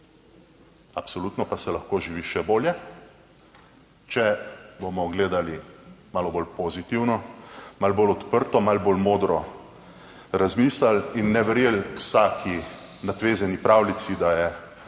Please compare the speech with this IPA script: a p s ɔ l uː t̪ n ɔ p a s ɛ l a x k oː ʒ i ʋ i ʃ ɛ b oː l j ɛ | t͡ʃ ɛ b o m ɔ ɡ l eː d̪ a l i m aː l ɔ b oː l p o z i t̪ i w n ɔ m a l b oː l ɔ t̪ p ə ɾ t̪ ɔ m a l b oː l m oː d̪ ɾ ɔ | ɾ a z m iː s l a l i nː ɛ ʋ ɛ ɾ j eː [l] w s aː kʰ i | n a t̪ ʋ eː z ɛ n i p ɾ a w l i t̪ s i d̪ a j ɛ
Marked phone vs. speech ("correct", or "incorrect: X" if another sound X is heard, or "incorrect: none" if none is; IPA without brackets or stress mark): correct